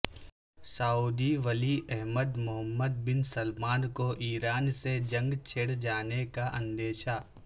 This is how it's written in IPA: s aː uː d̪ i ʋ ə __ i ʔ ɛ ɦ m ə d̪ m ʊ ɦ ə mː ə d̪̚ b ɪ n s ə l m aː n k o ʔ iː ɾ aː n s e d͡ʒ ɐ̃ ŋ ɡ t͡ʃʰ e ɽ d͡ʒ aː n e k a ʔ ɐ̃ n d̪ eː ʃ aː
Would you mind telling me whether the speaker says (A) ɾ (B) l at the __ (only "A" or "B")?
B